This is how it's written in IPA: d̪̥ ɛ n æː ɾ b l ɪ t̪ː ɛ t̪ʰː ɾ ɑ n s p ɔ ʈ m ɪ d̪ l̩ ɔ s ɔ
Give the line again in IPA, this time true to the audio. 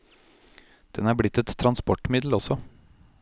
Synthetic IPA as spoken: d̪̥ ɛ n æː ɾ b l ɪ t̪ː ɛ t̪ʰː ɾ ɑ n s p ɔ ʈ m ɪ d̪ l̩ ɔ s ɔ